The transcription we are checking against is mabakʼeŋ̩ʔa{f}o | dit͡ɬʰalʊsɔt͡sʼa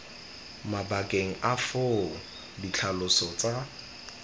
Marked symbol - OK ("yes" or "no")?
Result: yes